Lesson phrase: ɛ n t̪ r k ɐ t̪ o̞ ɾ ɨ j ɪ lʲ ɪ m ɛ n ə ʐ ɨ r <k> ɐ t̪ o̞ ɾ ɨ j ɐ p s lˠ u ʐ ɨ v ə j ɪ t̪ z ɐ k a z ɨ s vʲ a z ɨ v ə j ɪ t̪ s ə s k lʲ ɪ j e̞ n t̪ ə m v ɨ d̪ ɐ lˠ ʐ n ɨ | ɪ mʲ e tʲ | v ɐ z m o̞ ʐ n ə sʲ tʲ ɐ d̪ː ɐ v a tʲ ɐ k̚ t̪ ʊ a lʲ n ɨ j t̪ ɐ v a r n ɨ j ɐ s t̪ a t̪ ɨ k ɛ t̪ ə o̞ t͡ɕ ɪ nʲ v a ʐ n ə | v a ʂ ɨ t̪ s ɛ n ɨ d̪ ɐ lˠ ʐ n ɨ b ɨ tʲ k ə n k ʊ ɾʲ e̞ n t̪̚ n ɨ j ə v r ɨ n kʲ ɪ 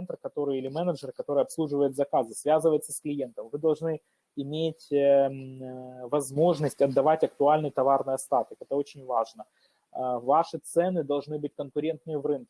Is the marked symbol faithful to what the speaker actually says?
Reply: yes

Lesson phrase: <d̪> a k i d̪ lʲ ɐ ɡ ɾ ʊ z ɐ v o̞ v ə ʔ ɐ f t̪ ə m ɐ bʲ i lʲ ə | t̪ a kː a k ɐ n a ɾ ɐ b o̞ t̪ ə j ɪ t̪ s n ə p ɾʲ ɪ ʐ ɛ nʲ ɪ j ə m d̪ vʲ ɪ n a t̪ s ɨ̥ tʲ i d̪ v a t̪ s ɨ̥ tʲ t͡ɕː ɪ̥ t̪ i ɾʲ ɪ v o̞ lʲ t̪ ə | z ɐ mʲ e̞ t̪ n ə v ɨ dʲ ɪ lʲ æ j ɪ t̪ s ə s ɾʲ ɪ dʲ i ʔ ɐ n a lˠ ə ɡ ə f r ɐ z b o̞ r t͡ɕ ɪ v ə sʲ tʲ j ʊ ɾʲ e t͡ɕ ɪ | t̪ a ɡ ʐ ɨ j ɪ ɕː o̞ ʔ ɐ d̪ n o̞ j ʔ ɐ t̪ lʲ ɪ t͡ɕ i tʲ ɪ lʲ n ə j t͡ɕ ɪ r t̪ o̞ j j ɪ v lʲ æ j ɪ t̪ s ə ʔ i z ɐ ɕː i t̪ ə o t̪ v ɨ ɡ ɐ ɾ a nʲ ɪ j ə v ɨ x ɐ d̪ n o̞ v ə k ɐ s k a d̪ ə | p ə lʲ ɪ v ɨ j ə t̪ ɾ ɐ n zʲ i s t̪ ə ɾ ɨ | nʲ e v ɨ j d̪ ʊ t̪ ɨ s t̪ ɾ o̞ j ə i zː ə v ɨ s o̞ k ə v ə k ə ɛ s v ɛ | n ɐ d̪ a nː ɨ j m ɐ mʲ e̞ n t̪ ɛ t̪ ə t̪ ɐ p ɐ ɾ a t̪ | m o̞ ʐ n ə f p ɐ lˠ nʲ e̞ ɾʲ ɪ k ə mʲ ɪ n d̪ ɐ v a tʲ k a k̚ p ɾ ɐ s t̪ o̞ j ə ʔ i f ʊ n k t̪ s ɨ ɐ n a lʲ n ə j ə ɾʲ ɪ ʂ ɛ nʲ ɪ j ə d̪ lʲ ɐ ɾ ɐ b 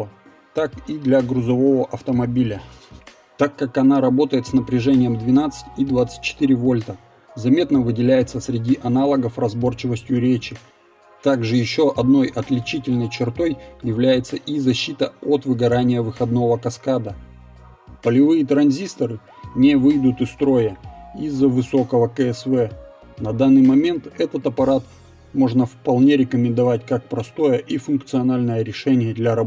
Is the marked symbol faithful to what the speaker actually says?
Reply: no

